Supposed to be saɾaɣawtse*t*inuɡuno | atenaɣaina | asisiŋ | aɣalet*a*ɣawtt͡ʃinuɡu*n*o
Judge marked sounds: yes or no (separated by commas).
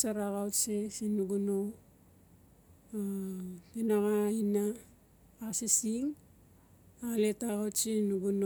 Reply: no, yes, yes